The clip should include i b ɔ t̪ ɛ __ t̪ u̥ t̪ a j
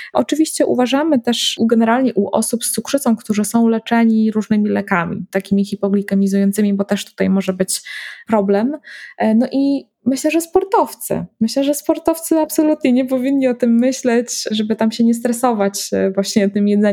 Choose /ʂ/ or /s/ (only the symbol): ʂ